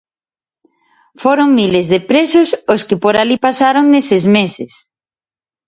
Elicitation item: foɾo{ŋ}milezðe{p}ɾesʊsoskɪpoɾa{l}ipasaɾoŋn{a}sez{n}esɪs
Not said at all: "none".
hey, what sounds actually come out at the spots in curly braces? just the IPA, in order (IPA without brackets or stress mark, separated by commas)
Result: ŋ, p, l, e, m